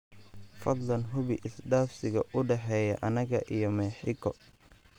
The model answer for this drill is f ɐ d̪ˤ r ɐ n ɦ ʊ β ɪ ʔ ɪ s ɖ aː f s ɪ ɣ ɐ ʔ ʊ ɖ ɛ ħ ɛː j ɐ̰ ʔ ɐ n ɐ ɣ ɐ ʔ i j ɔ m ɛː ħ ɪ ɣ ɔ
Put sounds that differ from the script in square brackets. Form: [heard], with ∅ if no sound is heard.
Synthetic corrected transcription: f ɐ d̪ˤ [l] ɐ n ɦ ʊ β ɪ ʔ ɪ s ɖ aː f s ɪ ɣ ɐ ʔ ʊ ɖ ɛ ħ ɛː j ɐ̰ ʔ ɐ n ɐ ɣ ɐ ʔ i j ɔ m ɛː ħ ɪ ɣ ɔ